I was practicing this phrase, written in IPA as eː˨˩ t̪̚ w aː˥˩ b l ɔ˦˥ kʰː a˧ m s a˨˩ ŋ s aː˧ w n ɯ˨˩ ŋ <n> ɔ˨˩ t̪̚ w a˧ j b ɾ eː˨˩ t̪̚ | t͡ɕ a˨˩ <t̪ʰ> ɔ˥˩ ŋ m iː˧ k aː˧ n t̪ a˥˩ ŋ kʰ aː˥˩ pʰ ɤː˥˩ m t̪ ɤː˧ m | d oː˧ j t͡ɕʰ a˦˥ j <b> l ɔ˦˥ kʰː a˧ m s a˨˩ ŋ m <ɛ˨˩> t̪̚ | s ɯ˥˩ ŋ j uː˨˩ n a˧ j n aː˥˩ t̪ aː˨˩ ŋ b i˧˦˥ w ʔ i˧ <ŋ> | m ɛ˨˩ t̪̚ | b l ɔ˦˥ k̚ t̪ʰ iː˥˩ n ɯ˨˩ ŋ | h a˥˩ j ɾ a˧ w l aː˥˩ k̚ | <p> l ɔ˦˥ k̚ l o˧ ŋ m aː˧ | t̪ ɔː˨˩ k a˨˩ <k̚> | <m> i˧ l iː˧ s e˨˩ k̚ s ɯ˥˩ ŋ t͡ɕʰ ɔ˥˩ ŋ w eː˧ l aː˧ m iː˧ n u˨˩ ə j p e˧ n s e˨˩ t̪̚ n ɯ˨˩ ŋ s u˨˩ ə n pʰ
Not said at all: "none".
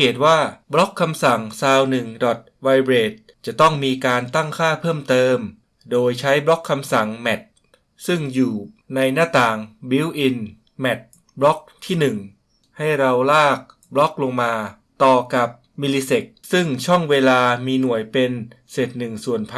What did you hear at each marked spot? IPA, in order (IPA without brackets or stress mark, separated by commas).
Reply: d, t̪, b, ɛ˨˩, n, b, p̚, m